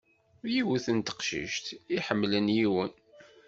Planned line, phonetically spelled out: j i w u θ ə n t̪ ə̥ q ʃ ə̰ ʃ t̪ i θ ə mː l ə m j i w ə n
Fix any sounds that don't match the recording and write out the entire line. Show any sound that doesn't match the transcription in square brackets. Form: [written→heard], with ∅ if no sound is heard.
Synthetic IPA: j i w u θ ə n t̪ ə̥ q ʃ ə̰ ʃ t̪ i [θ→ħ] ə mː l ə [m→n] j i w ə n